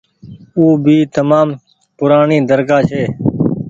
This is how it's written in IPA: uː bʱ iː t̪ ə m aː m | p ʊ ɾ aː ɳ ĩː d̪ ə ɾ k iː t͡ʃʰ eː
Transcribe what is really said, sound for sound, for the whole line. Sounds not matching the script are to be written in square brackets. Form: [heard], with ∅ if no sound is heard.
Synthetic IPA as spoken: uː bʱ iː t̪ ə m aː m | p ʊ ɾ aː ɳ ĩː d̪ ə ɾ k [aː] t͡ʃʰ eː